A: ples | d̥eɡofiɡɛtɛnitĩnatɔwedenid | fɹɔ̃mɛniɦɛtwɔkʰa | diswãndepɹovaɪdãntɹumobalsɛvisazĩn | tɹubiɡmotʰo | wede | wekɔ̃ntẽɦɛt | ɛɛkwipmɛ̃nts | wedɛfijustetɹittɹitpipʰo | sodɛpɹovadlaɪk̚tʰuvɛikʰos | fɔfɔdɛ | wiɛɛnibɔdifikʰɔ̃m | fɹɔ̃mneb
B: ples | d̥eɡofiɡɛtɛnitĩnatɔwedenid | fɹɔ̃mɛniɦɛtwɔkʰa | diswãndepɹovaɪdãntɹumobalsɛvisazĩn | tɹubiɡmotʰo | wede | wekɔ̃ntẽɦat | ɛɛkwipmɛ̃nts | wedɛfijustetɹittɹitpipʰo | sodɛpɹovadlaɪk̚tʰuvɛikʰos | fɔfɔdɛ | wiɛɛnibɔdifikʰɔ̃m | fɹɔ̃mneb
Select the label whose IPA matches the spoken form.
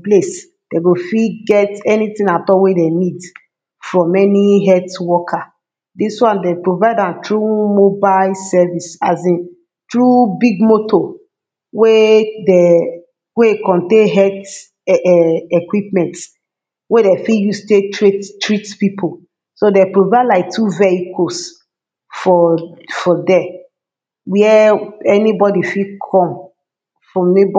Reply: A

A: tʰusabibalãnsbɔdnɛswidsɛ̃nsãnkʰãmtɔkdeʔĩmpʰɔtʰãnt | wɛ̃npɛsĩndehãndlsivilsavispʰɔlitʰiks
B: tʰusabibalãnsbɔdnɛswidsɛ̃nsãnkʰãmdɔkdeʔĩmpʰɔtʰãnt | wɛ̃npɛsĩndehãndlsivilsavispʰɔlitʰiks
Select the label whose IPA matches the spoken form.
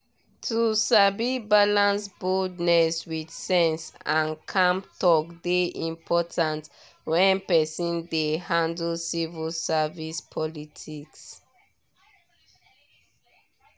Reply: A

